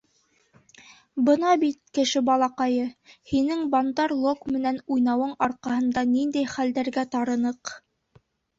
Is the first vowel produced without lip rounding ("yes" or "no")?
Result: yes